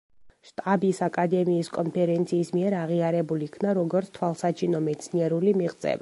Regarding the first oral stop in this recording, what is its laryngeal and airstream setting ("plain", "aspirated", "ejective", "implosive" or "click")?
ejective